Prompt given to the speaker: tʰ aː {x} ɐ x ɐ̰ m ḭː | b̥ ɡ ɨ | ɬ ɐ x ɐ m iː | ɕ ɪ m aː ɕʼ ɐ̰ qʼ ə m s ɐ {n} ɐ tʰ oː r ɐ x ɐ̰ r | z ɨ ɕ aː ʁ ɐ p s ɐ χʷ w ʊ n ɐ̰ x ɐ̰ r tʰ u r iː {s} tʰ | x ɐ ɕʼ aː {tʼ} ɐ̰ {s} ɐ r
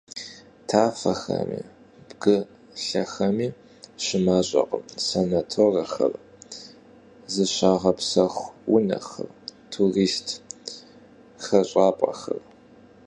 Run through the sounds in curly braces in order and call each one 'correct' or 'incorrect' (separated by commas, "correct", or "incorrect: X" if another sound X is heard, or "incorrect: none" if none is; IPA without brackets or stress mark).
incorrect: f, correct, correct, incorrect: pʼ, incorrect: x